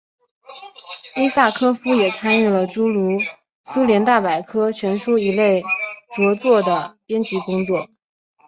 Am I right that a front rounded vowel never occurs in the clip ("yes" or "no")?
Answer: no